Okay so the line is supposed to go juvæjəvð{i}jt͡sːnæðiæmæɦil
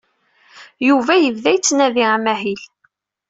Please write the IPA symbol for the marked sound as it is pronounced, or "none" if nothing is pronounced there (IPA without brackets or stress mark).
æ